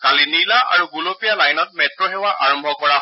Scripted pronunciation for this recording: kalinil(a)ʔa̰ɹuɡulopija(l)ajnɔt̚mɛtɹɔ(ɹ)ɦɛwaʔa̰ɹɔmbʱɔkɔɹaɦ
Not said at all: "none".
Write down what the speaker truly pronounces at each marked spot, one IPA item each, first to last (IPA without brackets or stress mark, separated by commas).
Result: a, l, none